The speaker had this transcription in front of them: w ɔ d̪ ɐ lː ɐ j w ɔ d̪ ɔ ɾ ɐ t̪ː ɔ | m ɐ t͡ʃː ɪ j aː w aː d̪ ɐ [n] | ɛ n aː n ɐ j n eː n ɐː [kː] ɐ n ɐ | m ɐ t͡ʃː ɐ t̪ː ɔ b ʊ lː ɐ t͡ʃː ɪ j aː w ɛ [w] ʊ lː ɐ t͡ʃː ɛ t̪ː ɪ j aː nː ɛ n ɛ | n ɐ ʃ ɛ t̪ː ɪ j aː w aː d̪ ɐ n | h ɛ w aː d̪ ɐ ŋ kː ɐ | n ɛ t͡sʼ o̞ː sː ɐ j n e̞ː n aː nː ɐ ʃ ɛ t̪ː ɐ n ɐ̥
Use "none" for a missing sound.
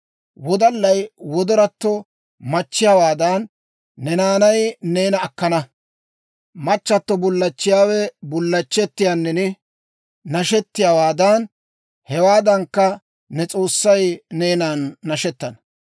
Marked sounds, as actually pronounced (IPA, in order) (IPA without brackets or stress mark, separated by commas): nː, kː, b